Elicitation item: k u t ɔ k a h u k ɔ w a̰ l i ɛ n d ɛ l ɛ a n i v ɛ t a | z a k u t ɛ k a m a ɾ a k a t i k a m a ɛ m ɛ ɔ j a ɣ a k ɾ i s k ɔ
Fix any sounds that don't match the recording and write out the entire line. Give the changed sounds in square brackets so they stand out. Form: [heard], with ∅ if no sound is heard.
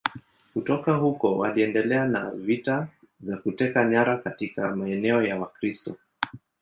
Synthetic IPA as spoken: k u t ɔ k a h u k ɔ w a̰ l i ɛ n d ɛ l ɛ a n [a] v [i] t a | z a k u t ɛ k a [ɲ] a ɾ a k a t i k a m a ɛ [n] ɛ ɔ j a [w] a k ɾ i s [t] ɔ